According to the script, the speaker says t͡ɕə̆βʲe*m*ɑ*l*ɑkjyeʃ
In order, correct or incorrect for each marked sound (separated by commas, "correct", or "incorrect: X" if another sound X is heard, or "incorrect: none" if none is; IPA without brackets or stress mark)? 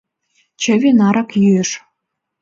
incorrect: n, incorrect: ɾ